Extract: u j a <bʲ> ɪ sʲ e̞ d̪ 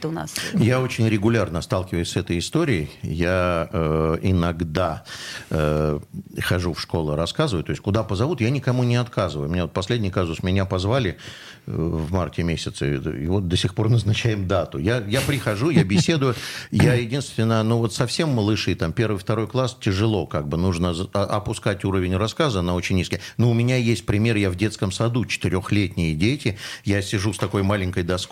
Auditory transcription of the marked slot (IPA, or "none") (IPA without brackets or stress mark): bʲ